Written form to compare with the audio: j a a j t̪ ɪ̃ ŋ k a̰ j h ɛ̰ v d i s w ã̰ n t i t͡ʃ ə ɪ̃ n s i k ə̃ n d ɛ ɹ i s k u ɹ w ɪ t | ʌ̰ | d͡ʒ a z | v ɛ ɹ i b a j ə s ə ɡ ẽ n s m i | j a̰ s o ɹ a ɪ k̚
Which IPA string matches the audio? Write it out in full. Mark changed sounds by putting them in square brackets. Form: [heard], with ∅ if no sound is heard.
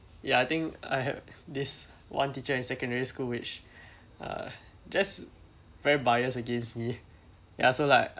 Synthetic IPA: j a a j t̪ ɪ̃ ŋ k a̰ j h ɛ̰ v d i s w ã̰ n t i t͡ʃ ə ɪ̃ n s [ɛ] k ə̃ n d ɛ ɹ i s k u [l] w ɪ [t͡ʃ] | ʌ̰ | d͡ʒ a [s] | v ɛ ɹ i b a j ə s ə ɡ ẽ n s m i | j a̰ s o [l] a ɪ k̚